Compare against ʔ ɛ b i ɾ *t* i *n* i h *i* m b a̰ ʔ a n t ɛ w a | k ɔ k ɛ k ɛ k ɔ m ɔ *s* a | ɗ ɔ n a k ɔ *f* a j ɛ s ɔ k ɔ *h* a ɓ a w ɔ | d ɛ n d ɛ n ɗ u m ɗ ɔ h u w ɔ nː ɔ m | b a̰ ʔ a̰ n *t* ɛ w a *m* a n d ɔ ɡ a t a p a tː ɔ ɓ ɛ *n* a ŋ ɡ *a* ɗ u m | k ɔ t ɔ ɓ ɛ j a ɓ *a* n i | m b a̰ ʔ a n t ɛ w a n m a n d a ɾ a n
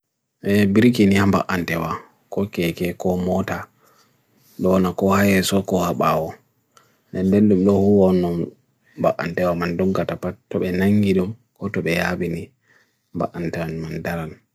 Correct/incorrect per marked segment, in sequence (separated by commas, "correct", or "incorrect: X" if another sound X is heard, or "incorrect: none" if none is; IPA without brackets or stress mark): incorrect: k, correct, incorrect: a, incorrect: t, incorrect: h, correct, correct, correct, correct, incorrect: i, incorrect: i